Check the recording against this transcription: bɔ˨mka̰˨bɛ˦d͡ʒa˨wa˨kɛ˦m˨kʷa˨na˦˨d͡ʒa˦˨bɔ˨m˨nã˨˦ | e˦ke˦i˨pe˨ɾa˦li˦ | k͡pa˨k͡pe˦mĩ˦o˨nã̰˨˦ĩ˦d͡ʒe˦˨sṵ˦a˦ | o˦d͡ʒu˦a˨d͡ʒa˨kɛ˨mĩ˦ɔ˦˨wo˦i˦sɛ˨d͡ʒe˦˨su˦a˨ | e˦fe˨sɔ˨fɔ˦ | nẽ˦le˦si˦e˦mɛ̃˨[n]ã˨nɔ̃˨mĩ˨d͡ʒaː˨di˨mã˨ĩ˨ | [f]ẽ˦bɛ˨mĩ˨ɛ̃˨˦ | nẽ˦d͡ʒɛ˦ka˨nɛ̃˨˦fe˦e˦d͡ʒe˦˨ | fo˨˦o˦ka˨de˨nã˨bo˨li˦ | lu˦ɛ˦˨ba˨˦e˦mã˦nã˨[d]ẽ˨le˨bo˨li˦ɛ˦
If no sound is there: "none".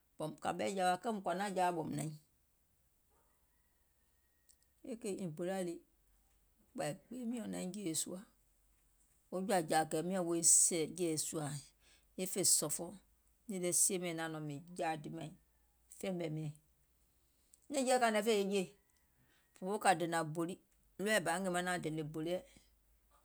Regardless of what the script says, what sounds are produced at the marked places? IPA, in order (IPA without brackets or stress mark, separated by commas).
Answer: n, f, d